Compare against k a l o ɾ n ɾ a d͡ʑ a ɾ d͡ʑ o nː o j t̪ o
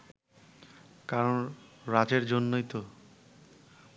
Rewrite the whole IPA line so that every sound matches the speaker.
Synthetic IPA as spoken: k a ɾ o n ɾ a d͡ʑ e ɾ d͡ʑ o nː o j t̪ o